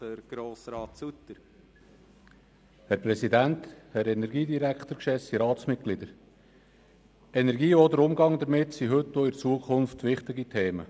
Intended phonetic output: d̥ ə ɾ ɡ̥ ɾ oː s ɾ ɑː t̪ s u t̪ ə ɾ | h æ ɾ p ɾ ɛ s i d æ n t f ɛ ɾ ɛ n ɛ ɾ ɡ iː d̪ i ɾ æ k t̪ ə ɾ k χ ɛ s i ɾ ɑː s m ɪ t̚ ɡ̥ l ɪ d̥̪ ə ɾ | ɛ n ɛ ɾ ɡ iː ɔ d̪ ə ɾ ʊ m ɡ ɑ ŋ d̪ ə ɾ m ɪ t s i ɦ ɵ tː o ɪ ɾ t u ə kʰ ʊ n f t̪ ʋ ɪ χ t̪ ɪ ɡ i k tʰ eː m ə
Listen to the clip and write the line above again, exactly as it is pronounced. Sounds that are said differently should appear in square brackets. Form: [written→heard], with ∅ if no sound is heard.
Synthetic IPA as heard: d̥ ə ɾ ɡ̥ ɾ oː s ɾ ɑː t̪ s u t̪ ə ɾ | h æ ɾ p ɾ ɛ s i d æ n t [f→h] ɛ ɾ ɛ n ɛ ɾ ɡ iː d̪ i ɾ æ k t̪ ə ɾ k [χ→ʃ] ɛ s i ɾ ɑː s m ɪ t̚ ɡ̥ l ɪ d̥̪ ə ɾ | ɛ n ɛ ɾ ɡ iː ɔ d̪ ə ɾ ʊ m ɡ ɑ ŋ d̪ ə ɾ m ɪ t s i ɦ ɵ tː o ɪ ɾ [t→t͡s] u ə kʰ ʊ n f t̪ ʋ ɪ χ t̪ ɪ ɡ i [k→∅] tʰ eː m ə

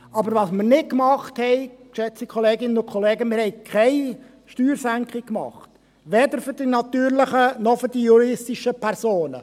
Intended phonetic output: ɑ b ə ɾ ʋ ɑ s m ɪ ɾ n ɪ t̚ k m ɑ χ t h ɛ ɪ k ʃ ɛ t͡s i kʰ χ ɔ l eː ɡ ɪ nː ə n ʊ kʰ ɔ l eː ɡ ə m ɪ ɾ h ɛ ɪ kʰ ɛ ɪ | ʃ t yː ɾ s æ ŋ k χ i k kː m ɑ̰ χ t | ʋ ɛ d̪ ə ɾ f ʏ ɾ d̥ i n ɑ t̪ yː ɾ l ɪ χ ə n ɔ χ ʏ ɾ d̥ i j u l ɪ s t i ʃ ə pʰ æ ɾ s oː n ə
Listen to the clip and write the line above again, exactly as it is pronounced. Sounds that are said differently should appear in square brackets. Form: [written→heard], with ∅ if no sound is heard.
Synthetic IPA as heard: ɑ b ə ɾ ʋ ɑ s m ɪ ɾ n ɪ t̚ k m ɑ χ t h ɛ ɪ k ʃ ɛ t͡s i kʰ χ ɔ l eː ɡ ɪ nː ə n ʊ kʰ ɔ l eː ɡ ə m ɪ ɾ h ɛ ɪ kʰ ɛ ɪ | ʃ t yː ɾ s æ ŋ k χ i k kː m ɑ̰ χ t | ʋ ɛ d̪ ə ɾ f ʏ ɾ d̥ i n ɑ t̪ yː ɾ l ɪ χ ə n ɔ [χ→f] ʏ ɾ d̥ i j u [l→ɾ] ɪ s t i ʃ ə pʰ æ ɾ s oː n ə

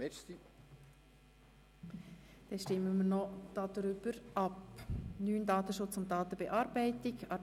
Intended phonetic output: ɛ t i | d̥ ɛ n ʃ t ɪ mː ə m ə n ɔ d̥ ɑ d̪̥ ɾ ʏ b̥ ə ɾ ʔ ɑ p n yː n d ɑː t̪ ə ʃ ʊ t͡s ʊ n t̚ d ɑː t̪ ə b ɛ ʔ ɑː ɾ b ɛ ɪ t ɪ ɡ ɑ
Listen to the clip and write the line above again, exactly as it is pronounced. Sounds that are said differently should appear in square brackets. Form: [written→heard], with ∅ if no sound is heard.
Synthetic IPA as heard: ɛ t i | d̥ ɛ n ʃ t ɪ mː ə m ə n ɔ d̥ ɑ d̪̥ ɾ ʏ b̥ ə ɾ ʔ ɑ p n yː n d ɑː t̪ ə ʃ ʊ t͡s ʊ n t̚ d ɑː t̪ ə b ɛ ʔ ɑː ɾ b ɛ ɪ t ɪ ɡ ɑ

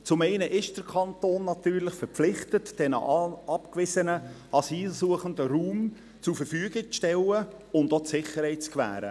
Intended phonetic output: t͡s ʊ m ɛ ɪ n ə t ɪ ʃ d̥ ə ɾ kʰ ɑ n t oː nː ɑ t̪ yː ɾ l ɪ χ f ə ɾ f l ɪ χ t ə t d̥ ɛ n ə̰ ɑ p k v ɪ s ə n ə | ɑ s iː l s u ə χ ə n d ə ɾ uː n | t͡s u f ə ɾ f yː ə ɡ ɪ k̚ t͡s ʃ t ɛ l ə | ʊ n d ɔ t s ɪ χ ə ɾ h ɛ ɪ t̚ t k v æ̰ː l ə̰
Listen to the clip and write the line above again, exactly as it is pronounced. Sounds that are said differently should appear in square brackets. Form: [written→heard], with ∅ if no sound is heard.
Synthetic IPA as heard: t͡s ʊ m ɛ ɪ n ə [t→ʔ] ɪ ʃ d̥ ə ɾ kʰ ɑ n t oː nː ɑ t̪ yː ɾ l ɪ χ f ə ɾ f l ɪ χ t ə t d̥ ɛ n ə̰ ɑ p k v ɪ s ə n ə | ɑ s iː l s u ə χ ə n d ə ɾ uː [n→m] | t͡s u f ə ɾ f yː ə ɡ ɪ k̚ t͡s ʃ t ɛ l ə | ʊ n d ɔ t s ɪ χ ə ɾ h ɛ ɪ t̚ [t→t͡s] k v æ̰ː [l→ɾ] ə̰

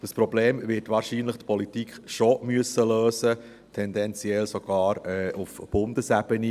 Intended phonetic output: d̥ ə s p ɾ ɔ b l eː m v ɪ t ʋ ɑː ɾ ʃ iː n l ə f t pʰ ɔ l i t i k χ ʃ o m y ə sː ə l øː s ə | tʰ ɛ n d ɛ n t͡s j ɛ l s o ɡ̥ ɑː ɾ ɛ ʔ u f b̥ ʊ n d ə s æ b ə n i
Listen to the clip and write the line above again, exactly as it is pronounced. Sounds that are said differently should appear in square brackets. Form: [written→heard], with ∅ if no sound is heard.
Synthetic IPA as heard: d̥ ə s p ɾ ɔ b l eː m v ɪ t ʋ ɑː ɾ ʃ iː n l ə [f→χ] t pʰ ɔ l i t i k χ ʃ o m y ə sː ə l øː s ə | tʰ ɛ n d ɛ n t͡s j ɛ l s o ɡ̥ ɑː ɾ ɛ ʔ u f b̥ ʊ n d ə s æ b ə n i

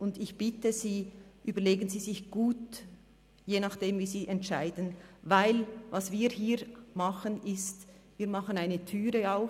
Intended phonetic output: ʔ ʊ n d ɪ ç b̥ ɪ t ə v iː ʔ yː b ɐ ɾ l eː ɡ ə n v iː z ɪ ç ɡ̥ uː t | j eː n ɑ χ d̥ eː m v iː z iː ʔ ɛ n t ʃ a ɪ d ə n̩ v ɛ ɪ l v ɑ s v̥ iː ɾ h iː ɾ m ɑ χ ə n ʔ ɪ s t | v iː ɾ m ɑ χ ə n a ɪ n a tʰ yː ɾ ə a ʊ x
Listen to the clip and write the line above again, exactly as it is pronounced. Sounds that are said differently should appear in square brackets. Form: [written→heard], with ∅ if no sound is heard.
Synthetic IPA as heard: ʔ ʊ n d ɪ ç b̥ ɪ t ə [v→z] iː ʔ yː b ɐ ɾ l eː ɡ ə n [v→z] iː z ɪ ç ɡ̥ uː t | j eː n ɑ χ d̥ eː m v iː z iː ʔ ɛ n t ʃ a ɪ d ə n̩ v [ɛ→a] ɪ l v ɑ s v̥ iː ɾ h iː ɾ m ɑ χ ə n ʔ ɪ s t | v iː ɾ m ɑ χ ə n a ɪ n [a→ə] tʰ yː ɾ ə a ʊ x

